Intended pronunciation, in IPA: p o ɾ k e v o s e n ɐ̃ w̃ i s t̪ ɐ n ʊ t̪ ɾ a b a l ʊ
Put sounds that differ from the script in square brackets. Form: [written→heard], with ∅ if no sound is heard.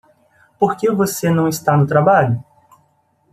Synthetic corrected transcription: p o ɾ k e v o s e n ɐ̃ w̃ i s t̪ [ɐ→a] n ʊ t̪ ɾ a b a [l→ʎ] ʊ